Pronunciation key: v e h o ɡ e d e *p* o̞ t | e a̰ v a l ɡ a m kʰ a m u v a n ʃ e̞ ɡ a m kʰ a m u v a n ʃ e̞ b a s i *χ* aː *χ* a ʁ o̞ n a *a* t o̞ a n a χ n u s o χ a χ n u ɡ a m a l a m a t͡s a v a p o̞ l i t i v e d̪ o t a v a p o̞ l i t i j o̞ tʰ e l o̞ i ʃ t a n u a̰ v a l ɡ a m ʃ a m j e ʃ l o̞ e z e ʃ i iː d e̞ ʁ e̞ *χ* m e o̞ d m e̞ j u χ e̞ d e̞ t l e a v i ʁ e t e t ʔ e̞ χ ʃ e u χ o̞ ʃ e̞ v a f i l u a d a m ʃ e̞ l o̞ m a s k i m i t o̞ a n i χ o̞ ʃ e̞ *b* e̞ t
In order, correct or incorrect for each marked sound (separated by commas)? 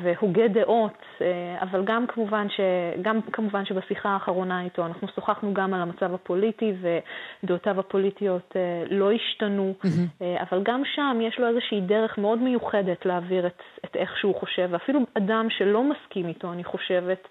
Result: incorrect, correct, correct, incorrect, correct, incorrect